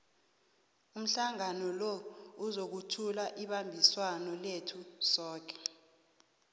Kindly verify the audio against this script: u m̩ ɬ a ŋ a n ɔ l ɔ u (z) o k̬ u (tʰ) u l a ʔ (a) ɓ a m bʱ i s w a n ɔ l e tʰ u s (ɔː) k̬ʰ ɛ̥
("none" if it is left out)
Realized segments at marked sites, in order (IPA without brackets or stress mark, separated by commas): z, tʰ, i, ɔː